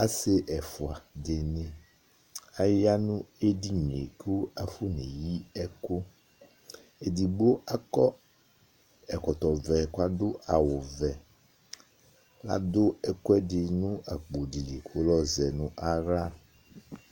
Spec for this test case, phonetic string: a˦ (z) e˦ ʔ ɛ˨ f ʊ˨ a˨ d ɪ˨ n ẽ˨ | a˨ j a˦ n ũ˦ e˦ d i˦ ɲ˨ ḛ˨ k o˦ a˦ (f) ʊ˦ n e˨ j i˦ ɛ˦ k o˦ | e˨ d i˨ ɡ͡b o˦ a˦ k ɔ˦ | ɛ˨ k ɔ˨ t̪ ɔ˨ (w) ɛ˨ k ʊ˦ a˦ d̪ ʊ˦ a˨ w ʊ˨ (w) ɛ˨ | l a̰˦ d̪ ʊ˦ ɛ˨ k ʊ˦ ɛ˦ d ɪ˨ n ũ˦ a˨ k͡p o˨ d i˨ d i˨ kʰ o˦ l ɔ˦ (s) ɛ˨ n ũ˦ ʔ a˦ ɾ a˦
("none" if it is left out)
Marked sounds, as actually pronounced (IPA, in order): s, f, v, v, z

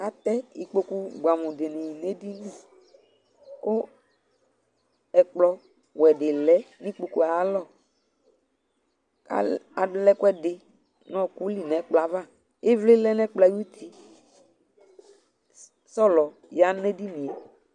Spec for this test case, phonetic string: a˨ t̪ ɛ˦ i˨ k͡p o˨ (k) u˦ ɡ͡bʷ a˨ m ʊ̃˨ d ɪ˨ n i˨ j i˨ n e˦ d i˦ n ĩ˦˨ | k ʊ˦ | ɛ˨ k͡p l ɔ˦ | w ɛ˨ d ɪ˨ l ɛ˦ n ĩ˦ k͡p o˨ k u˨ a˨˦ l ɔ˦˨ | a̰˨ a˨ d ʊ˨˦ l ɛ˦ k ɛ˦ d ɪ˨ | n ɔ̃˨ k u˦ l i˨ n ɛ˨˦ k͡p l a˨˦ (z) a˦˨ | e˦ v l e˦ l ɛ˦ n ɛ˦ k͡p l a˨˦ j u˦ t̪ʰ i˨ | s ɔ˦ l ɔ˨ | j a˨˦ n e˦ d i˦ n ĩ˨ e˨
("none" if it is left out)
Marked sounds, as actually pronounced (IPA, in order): k, v

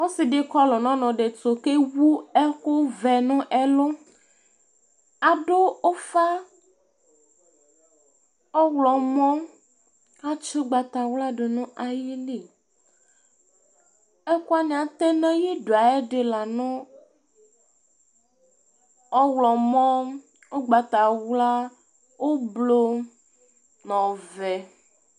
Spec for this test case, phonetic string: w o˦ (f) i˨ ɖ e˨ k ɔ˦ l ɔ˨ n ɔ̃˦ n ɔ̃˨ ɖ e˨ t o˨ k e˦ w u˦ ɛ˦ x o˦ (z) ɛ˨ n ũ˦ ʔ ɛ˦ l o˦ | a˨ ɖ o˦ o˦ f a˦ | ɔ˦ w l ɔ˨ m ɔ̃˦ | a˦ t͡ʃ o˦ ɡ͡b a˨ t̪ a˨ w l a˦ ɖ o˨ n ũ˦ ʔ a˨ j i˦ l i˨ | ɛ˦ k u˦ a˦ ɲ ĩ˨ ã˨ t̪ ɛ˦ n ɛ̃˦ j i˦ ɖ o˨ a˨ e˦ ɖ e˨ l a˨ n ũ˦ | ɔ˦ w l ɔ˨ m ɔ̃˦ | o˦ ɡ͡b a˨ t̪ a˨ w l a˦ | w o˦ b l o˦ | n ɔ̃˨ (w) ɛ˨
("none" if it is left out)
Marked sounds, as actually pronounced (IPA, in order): s, v, v

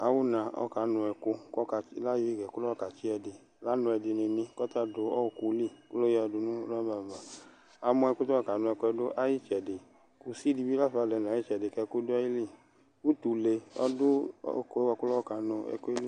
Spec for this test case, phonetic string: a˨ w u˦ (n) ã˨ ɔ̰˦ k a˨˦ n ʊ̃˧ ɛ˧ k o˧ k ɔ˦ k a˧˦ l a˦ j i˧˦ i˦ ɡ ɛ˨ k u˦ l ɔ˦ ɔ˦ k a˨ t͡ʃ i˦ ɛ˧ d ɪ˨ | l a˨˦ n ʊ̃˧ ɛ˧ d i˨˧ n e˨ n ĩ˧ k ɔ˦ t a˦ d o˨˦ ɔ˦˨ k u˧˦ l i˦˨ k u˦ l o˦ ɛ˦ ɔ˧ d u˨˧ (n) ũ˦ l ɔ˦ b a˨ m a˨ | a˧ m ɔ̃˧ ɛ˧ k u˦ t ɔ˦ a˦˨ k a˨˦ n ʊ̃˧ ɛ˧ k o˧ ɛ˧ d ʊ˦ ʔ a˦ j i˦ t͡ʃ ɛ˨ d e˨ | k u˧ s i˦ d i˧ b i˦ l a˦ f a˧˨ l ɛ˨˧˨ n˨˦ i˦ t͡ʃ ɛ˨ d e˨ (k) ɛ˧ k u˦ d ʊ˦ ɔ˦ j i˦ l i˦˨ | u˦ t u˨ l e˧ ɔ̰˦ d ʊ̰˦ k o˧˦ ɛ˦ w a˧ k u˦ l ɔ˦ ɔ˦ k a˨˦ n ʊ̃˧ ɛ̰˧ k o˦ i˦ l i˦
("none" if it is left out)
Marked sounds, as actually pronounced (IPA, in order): n, n, k

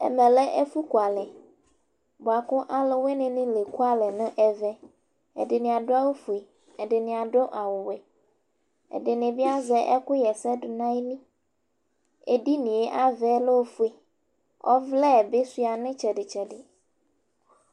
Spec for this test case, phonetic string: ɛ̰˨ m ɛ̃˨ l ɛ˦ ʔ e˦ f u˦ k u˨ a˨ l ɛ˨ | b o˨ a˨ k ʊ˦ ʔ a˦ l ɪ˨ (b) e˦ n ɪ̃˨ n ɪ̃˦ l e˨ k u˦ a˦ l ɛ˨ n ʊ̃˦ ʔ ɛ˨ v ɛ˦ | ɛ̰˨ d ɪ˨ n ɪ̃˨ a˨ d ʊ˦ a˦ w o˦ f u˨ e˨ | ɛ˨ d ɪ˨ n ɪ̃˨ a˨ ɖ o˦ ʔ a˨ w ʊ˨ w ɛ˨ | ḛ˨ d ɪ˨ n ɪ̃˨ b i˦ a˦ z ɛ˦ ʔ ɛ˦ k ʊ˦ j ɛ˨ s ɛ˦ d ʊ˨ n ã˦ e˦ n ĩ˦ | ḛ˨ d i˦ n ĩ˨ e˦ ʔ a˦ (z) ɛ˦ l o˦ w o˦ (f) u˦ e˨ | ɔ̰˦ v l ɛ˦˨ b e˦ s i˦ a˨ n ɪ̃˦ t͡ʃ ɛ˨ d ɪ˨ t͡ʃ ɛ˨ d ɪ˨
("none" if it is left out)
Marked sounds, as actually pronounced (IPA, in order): w, v, f

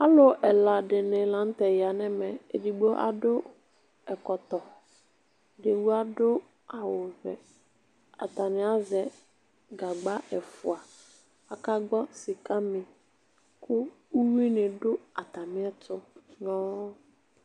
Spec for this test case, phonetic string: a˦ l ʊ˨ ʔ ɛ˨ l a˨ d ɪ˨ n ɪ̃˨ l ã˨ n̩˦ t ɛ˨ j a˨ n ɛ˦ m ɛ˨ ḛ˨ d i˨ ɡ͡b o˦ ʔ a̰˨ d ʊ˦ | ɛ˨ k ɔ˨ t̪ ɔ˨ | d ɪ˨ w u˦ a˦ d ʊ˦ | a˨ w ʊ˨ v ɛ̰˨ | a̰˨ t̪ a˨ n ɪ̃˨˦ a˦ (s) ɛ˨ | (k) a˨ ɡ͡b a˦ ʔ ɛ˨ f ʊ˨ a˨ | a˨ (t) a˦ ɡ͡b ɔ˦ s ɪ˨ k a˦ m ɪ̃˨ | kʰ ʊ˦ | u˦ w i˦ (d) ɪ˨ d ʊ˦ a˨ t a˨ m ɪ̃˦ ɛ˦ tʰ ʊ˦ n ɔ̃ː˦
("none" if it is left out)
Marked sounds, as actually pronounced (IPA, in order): z, ɡ, k, n

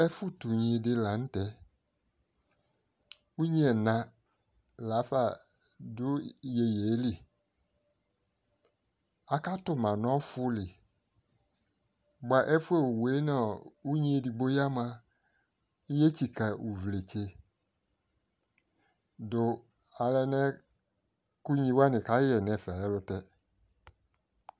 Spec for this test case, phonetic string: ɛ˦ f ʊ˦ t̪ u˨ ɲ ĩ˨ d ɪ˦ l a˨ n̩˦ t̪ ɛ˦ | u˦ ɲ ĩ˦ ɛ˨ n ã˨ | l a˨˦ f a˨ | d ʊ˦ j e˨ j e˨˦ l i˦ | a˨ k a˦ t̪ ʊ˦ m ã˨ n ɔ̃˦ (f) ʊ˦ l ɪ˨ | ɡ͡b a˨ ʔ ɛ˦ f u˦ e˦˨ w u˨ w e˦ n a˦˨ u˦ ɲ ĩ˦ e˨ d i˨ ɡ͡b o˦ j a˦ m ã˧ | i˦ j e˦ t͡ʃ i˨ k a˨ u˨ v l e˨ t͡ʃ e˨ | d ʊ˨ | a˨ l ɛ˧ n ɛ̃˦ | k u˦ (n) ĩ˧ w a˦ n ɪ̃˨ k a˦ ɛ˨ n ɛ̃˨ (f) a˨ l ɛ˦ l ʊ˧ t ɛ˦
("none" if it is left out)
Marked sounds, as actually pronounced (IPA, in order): f, ɲ, f

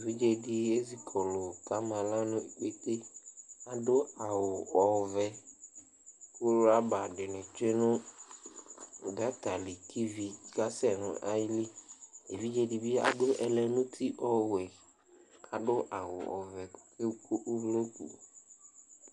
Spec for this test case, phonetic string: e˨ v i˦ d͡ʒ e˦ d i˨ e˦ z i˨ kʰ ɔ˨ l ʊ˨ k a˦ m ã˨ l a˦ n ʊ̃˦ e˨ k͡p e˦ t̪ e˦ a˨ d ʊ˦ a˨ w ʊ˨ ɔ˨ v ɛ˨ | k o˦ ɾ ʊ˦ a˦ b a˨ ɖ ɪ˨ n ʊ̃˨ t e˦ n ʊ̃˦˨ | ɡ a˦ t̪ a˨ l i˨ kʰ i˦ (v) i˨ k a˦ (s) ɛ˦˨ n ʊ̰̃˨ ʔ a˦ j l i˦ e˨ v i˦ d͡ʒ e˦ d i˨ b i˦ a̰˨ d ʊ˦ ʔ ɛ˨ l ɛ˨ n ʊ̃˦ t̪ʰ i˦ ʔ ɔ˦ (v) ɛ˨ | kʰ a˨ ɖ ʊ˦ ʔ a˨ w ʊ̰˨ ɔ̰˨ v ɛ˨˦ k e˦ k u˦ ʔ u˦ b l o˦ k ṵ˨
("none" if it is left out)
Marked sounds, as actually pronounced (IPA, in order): v, s, w

